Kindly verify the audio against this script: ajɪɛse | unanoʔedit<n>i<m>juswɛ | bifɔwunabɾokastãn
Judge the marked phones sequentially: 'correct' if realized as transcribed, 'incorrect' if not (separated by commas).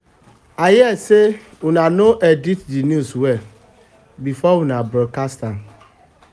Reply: incorrect, incorrect